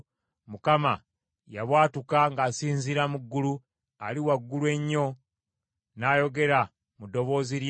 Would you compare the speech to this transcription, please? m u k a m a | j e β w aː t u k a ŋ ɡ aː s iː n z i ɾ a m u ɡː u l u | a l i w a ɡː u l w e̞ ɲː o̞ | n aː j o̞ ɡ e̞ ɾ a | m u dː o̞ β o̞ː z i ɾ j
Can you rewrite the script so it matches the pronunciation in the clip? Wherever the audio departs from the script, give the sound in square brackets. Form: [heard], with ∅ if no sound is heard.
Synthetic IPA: m u k a m a | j [a] β w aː t u k a ŋ ɡ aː s iː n z i ɾ a m u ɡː u l u | a l i w a ɡː u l w e̞ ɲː o̞ | n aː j o̞ ɡ e̞ ɾ a | m u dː o̞ β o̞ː z i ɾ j